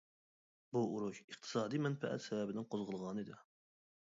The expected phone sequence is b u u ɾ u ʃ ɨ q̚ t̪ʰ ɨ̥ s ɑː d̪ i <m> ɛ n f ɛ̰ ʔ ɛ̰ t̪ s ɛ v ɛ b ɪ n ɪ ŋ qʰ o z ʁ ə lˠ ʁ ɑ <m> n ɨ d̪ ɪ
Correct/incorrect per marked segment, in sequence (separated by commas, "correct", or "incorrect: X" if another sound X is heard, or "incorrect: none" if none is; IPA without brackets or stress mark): correct, incorrect: none